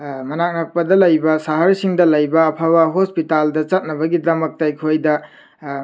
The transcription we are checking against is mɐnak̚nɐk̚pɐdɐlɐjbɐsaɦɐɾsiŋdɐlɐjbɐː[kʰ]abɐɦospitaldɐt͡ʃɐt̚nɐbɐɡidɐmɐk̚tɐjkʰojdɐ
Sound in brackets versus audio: incorrect: pʰ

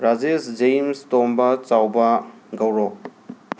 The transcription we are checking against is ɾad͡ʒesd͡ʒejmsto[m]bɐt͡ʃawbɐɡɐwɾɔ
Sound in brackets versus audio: correct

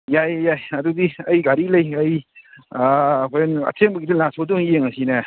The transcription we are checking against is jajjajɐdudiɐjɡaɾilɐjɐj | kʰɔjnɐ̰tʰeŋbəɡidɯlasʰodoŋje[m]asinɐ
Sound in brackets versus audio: incorrect: ŋ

